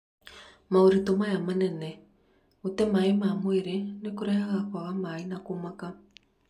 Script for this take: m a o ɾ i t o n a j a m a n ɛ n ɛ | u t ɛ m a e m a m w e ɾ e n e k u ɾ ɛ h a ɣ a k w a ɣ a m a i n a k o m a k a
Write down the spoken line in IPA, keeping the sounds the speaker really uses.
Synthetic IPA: m a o ɾ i t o m a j a m a n ɛ n ɛ | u t ɛ m a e m a m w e ɾ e n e k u ɾ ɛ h a ɣ a k w a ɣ a m a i n a k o m a k a